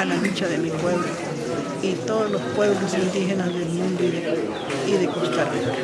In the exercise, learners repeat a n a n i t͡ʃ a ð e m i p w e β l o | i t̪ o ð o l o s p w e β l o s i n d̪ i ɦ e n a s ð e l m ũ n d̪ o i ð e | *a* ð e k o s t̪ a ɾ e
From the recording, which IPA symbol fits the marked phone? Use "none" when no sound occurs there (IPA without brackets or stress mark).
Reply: i